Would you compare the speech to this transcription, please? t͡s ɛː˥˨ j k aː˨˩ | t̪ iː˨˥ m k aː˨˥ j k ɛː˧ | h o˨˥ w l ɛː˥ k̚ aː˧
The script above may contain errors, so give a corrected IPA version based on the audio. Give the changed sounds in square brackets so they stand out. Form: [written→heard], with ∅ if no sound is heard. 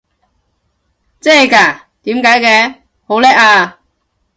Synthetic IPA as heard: t͡s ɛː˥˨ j k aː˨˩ | t̪ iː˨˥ m k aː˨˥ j k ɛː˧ | h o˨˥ w l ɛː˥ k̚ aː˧